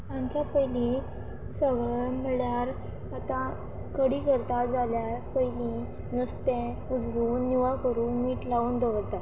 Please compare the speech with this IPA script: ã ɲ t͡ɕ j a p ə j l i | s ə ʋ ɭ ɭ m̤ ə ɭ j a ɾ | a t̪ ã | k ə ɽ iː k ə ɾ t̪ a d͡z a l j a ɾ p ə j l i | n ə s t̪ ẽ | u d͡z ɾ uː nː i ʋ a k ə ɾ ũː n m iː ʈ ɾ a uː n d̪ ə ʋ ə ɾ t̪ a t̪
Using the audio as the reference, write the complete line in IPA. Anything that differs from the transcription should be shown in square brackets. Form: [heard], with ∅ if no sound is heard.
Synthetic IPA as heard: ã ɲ t͡ɕ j a p ə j l i | s ə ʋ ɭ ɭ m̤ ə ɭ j a ɾ | a t̪ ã | k ə ɽ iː k ə ɾ t̪ a d͡z a l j a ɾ p ə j l i | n ə s t̪ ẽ | u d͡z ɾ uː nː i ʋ a k ə ɾ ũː n m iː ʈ [l] a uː n d̪ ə ʋ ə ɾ t̪ a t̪